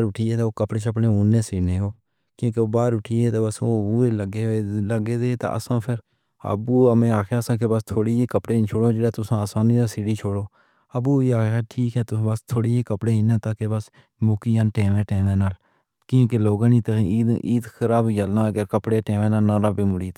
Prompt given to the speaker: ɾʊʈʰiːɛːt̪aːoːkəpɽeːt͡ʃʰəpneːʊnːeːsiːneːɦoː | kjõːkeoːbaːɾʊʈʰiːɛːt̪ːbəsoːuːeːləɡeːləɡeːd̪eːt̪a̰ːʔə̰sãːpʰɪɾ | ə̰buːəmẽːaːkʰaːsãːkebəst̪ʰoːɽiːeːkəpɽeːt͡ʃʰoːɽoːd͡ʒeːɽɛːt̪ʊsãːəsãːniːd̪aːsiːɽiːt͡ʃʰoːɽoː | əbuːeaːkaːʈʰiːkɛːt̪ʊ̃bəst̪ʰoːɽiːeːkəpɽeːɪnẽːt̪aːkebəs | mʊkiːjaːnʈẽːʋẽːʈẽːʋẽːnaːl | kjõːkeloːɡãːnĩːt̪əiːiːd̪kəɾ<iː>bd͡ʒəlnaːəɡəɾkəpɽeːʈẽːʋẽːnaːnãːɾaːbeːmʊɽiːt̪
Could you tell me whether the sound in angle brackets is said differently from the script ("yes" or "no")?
yes